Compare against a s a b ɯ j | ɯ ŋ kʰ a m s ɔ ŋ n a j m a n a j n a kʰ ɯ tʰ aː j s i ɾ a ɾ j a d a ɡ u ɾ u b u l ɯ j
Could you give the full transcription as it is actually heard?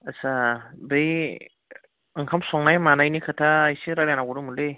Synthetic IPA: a s a b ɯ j | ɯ ŋ kʰ a m s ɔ ŋ n a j m a n a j n i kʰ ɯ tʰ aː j s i ɾ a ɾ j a n a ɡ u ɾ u m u l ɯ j